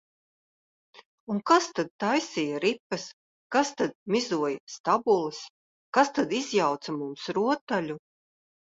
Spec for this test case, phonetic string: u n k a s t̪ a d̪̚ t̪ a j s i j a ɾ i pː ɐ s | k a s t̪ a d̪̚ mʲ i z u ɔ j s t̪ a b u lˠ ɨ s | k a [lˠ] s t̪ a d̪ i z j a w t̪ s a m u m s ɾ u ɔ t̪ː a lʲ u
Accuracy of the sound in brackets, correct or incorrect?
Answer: incorrect